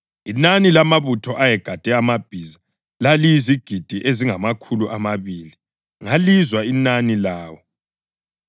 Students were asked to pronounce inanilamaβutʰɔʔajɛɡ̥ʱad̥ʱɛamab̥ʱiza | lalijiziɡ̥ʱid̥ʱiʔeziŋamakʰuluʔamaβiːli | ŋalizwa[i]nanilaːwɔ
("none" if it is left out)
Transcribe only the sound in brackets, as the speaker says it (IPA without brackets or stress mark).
i